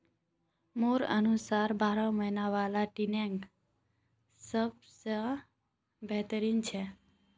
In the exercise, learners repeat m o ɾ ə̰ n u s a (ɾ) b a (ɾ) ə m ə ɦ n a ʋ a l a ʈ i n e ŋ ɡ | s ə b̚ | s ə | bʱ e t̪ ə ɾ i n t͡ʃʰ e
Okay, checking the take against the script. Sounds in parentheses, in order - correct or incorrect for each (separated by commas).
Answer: correct, correct